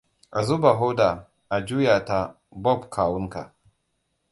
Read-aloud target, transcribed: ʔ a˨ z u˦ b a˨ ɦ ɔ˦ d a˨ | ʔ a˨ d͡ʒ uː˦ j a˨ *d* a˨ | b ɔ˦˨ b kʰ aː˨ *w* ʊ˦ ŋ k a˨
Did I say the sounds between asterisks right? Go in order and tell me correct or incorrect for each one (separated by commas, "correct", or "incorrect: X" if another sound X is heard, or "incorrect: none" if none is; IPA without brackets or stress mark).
incorrect: t, correct